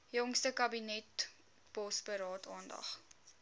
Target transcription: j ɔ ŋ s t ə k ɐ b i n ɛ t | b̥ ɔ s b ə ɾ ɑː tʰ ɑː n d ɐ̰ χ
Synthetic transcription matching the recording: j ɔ ŋ s t ə k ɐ b i n ɛ t | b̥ ɔ s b ə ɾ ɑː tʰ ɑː n d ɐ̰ χ